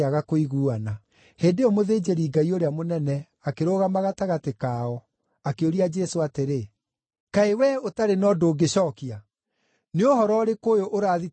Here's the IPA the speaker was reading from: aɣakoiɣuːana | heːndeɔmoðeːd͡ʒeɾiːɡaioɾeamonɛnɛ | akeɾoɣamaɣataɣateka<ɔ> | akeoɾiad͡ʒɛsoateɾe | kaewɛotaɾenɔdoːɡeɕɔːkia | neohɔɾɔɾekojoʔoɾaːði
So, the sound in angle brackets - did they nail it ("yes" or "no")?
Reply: yes